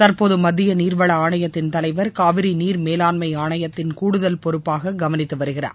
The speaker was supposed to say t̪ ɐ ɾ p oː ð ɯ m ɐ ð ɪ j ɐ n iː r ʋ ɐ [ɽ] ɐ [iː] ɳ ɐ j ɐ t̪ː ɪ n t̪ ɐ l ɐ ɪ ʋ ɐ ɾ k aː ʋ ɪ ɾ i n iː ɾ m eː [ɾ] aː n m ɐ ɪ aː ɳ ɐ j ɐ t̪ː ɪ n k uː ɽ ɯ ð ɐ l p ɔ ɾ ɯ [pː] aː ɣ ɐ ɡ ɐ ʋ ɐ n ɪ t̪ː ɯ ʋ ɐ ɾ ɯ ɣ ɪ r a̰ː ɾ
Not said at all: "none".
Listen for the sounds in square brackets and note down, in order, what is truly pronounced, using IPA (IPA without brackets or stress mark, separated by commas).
ɭ, aː, l, pː